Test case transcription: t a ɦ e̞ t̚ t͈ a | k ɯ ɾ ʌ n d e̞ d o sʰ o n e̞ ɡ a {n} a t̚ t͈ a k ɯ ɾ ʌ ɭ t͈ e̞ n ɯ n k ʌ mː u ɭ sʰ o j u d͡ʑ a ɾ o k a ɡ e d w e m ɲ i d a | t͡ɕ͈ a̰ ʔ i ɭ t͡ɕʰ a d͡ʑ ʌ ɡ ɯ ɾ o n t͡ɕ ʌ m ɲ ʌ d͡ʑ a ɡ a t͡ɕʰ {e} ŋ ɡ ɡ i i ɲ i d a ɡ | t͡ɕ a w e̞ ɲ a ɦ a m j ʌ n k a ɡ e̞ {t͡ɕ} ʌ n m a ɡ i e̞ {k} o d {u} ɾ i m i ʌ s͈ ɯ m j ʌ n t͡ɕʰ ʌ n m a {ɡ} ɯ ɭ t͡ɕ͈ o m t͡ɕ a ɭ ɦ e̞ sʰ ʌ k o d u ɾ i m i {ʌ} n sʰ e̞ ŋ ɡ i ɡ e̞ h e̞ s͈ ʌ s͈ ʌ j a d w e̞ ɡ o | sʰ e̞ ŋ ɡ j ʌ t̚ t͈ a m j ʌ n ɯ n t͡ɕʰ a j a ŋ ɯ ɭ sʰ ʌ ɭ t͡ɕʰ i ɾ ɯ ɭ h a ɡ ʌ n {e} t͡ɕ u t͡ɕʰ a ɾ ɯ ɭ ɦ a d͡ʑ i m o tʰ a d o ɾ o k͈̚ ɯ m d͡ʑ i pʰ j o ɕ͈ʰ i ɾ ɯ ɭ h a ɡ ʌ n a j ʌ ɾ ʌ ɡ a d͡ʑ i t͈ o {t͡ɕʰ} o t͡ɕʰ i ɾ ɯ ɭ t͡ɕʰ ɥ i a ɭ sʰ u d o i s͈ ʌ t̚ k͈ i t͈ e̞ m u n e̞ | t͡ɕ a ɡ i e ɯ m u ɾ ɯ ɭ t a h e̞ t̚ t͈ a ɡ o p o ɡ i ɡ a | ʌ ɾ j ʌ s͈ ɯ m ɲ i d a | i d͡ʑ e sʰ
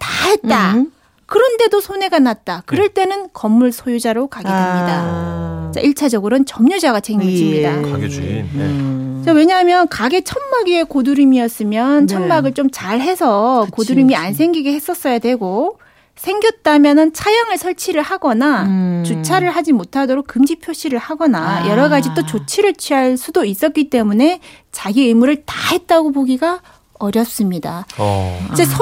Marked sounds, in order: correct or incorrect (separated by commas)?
correct, correct, incorrect, correct, correct, correct, incorrect, incorrect, incorrect